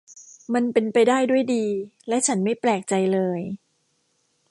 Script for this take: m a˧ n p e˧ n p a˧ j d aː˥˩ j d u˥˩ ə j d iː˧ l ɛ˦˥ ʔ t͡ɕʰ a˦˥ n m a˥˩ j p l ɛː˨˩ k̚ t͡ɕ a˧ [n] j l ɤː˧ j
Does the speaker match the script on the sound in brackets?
no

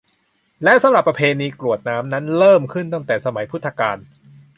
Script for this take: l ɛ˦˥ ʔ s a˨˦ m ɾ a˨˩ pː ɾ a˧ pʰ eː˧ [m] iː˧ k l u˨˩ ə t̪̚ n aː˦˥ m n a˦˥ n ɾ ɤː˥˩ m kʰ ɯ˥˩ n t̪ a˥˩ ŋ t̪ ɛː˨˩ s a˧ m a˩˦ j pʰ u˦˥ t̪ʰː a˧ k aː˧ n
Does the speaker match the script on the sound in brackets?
no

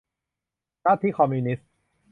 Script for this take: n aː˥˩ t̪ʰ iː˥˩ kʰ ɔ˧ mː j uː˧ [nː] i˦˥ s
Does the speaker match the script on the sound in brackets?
no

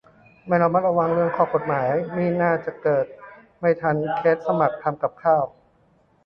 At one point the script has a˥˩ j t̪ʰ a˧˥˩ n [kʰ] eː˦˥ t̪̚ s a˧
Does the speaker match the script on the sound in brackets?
yes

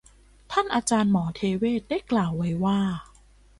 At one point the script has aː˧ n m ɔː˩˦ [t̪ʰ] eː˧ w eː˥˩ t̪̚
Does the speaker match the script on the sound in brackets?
yes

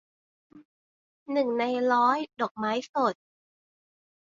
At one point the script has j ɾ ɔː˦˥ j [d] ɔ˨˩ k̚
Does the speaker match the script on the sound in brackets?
yes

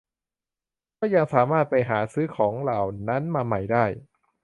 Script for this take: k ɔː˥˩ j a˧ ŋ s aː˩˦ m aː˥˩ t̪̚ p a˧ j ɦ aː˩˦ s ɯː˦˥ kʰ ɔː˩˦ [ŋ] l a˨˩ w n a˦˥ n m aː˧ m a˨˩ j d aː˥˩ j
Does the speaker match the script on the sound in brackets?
yes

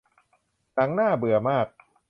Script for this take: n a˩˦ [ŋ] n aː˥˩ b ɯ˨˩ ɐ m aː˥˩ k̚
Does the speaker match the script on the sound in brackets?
yes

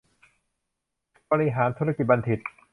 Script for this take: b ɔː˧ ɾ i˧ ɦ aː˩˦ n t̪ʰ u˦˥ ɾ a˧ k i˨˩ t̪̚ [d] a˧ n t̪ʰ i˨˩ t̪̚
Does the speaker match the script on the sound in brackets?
no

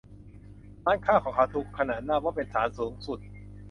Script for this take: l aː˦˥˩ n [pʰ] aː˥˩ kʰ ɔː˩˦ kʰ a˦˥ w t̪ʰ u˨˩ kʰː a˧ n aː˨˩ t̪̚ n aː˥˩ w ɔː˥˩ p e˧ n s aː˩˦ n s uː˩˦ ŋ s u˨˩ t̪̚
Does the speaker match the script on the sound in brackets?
no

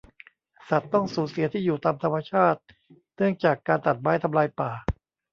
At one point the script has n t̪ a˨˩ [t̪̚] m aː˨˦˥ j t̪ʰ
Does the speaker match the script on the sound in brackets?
yes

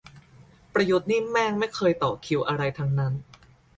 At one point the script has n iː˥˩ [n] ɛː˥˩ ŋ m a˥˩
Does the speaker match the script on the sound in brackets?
no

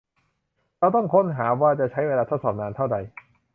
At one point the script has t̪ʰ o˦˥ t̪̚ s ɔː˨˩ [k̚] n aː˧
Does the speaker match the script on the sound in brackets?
no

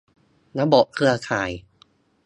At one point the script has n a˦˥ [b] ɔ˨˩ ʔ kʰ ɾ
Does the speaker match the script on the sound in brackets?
yes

